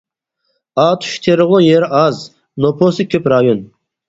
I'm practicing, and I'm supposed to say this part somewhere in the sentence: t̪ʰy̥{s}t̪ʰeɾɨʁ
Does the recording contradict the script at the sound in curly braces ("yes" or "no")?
yes